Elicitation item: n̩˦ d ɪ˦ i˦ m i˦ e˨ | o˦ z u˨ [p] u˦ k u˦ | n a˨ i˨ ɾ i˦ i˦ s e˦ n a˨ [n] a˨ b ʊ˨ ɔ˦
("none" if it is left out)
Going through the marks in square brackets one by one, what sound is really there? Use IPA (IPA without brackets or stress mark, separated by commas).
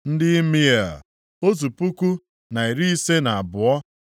p, none